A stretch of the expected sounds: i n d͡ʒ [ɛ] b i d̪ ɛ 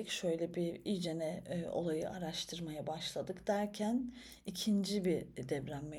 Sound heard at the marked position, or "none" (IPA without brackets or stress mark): i